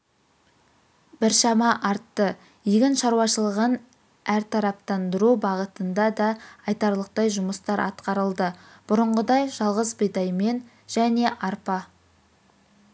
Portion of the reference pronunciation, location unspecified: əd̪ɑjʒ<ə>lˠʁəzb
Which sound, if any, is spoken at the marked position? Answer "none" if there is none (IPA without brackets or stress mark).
ɑ